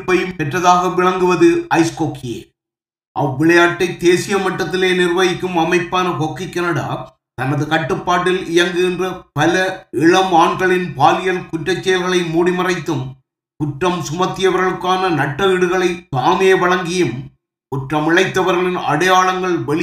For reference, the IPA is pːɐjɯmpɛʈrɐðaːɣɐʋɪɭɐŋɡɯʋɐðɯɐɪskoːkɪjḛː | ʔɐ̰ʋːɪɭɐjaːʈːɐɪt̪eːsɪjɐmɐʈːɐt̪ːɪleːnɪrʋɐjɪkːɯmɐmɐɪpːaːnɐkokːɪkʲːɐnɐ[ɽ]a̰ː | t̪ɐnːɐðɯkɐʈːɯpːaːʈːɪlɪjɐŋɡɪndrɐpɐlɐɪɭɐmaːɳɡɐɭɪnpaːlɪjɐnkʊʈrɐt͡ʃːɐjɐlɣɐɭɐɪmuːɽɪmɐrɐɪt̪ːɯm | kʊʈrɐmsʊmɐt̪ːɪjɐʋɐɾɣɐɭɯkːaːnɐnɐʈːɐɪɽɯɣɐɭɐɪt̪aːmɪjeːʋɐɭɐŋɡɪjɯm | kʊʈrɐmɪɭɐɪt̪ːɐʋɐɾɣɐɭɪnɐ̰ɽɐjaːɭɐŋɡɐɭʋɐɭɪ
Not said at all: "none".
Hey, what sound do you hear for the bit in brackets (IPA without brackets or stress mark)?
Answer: ɽ